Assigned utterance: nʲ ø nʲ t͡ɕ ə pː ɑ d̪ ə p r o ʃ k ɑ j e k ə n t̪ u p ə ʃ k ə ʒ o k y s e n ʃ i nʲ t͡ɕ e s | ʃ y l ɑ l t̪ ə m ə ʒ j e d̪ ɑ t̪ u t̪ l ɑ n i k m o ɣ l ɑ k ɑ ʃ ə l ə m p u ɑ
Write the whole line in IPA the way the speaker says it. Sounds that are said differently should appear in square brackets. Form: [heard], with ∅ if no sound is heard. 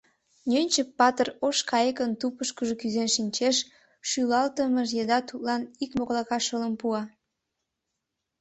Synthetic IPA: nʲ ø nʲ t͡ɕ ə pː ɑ [t̪] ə [∅] r o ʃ k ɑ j e k ə n t̪ u p ə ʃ k ə ʒ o k y [z] e n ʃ i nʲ t͡ɕ e [ʃ] | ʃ y l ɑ l t̪ ə m ə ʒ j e d̪ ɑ t̪ u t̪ l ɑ n i k m o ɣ l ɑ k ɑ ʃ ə l ə m p u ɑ